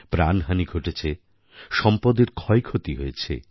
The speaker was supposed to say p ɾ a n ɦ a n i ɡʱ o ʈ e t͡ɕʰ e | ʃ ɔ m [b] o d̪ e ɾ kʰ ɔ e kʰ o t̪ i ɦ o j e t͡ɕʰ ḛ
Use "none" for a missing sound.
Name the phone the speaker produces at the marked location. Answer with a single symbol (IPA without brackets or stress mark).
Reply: p